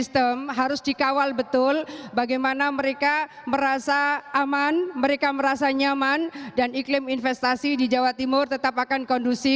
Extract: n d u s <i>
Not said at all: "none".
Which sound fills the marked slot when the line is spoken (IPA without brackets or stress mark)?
i